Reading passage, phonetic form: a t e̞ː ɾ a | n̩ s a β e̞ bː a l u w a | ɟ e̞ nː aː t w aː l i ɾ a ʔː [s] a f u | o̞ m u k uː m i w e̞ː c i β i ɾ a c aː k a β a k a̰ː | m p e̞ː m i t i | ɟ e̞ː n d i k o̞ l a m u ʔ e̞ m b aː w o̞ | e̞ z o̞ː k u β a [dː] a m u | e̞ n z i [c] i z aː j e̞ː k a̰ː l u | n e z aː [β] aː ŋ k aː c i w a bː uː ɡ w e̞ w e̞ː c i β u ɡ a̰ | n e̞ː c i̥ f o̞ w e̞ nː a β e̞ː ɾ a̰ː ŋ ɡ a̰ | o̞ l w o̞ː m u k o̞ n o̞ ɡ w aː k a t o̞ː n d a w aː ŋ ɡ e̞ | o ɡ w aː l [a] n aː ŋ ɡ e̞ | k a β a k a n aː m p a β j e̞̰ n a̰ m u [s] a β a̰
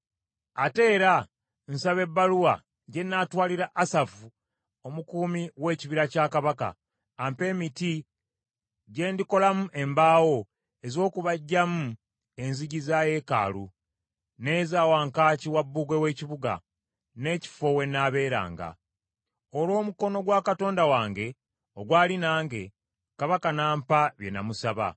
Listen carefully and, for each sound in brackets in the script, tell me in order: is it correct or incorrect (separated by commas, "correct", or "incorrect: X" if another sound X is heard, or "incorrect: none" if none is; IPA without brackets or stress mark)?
correct, incorrect: ɟː, incorrect: ɟ, incorrect: w, incorrect: i, correct